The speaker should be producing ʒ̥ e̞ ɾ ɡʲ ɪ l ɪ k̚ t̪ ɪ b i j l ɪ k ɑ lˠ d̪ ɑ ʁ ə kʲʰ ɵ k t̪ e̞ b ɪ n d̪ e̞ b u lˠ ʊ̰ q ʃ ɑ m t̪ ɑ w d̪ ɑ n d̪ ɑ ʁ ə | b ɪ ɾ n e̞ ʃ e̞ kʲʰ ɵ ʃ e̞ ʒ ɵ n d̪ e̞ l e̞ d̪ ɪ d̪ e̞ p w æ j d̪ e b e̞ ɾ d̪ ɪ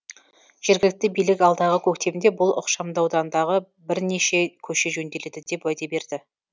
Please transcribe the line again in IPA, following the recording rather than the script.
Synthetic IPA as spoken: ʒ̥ e̞ ɾ ɡʲ ɪ l ɪ k̚ t̪ ɪ b i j l ɪ k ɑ lˠ d̪ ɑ ʁ ə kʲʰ ɵ k t̪ e̞ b ɪ n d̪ e̞ b ʊ lˠ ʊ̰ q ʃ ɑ m d̪ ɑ w d̪ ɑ n d̪ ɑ ʁ ə | b ɪ ɾ n e̞ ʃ e̞ kʲʰ ɵ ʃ e̞ ʒ ɵ n d̪ e̞ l e̞ d̪ ɪ d̪ e̞ p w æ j d̪ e b e̞ ɾ d̪ ɪ